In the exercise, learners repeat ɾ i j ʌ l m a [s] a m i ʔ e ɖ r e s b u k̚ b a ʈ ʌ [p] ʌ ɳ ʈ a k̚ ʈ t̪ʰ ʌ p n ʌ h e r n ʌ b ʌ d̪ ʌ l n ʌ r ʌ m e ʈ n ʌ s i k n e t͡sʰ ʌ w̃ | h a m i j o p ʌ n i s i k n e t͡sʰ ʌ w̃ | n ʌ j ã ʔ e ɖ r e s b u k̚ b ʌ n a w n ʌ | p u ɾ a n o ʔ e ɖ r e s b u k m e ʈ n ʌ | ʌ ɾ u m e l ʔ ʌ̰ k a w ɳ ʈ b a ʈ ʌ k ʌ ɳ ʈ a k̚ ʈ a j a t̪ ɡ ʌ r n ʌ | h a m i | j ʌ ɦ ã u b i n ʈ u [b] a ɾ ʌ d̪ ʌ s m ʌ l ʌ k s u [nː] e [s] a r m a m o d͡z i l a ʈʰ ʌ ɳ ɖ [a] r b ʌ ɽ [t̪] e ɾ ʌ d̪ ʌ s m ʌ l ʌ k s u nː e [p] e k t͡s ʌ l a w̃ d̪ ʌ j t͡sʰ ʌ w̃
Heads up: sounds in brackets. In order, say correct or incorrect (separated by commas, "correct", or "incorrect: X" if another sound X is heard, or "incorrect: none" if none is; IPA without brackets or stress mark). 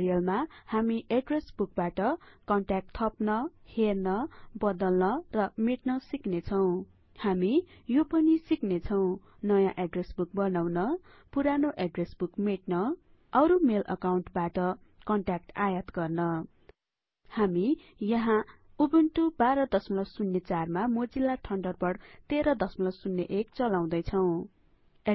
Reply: incorrect: h, incorrect: k, correct, correct, incorrect: t͡s, incorrect: ʌ, correct, incorrect: ʔ